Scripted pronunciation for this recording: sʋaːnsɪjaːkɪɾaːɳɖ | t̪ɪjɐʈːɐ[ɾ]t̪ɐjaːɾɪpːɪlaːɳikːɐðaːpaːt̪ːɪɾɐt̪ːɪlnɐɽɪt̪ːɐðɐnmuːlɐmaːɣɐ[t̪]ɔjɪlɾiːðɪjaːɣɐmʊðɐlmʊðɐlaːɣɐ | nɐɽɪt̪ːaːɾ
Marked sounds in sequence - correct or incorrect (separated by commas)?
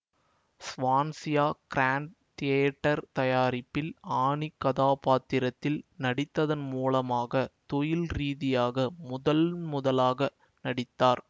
correct, correct